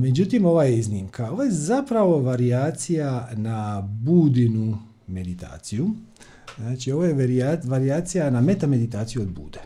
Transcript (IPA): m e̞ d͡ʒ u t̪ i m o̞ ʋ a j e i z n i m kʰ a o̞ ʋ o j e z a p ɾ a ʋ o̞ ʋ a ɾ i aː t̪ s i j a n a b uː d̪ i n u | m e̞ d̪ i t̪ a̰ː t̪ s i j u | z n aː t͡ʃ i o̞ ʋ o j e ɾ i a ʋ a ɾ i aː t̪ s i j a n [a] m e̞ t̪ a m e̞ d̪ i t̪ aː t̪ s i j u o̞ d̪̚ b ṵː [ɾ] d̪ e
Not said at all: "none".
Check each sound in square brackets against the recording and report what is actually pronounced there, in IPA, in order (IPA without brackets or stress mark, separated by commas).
a, none